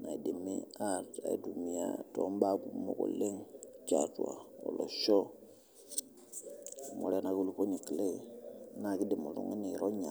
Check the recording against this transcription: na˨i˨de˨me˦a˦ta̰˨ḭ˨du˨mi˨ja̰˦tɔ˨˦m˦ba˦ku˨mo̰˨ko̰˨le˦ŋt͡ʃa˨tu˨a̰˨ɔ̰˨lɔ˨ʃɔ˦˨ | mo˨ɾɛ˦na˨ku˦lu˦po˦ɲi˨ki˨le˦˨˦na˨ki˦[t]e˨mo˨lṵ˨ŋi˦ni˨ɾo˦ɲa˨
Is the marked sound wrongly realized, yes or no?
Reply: yes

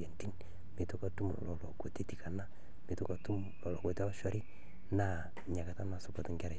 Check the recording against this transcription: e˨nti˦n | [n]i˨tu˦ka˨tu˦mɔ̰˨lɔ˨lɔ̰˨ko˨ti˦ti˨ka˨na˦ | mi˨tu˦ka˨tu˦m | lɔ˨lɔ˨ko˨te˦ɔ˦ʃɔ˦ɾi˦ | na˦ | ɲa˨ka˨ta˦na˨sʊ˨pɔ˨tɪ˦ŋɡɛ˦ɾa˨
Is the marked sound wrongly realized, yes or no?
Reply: yes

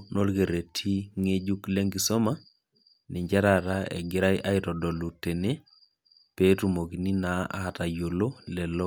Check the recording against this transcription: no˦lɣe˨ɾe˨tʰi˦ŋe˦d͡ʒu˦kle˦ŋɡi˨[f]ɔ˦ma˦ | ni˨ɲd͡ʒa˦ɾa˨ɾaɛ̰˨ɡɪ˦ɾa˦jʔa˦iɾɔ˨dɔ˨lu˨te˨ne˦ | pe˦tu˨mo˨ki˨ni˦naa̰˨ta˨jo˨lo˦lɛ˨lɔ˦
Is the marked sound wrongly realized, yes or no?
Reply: yes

